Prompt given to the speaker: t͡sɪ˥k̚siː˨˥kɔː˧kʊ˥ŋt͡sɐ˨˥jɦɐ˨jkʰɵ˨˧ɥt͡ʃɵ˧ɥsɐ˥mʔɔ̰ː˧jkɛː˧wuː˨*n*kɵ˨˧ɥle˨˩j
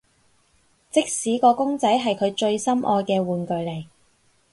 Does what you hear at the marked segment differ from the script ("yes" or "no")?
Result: no